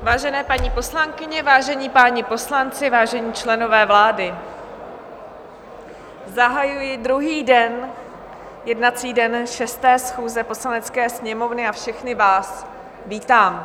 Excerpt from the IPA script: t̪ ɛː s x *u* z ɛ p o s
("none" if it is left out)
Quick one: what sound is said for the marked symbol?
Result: uː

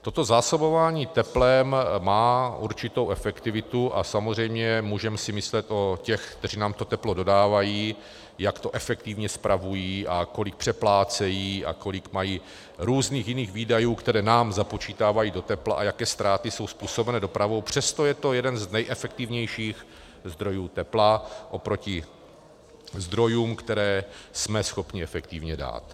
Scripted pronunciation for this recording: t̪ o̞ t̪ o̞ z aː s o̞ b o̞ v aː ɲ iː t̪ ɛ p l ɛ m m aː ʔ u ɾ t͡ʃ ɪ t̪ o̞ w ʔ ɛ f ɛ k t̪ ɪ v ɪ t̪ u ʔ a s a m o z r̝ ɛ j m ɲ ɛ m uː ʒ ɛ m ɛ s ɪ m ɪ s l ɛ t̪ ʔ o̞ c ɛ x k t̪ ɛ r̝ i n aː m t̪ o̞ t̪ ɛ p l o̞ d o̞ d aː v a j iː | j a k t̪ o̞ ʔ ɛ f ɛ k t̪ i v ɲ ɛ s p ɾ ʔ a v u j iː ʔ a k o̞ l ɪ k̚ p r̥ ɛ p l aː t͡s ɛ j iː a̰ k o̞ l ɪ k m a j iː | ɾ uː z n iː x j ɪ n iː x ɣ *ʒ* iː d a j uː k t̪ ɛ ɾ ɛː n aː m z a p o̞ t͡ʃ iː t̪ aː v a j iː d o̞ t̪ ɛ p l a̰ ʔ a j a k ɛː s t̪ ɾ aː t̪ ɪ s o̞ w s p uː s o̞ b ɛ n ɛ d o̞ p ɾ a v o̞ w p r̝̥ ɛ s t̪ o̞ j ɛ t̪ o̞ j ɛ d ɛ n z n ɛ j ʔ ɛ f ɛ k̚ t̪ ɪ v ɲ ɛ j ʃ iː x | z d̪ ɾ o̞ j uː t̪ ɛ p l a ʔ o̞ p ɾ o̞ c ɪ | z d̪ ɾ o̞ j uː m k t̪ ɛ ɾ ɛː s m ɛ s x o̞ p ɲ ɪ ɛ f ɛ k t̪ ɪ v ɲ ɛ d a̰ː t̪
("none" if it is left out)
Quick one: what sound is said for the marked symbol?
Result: v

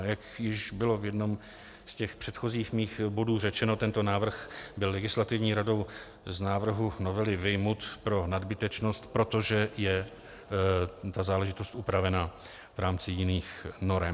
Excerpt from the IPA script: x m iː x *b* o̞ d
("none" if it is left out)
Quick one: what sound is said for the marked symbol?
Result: b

